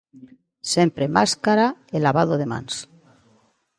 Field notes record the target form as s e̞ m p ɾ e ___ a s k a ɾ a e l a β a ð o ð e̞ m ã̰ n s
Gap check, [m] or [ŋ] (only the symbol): m